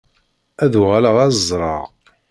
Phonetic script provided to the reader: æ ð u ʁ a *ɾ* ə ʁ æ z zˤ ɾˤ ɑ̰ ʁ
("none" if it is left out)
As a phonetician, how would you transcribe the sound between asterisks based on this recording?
l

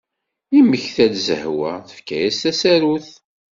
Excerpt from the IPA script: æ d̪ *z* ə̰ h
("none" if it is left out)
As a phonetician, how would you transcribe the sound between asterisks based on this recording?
z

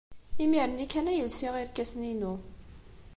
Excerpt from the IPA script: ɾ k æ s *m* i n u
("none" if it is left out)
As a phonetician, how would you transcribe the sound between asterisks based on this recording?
n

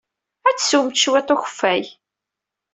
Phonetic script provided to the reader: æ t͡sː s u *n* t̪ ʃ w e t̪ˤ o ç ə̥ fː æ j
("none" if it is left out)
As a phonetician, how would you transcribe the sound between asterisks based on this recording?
m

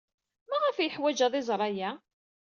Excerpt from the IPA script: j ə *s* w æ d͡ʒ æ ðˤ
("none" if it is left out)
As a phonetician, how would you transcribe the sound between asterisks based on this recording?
ħ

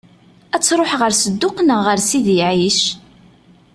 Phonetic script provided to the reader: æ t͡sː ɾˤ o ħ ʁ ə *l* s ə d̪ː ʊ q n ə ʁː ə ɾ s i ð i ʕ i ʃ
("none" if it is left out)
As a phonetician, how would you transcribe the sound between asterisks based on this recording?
ɾ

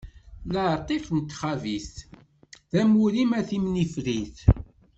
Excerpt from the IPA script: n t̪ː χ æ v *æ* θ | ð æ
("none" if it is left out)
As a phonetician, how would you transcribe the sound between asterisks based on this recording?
i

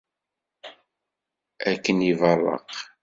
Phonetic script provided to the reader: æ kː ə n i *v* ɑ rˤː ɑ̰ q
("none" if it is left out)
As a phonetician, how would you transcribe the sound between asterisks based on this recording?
v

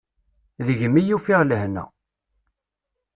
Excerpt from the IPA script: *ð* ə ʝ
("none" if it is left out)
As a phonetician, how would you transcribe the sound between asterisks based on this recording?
ð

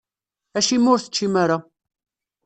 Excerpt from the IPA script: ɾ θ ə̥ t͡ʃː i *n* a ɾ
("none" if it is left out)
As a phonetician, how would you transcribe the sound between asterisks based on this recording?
m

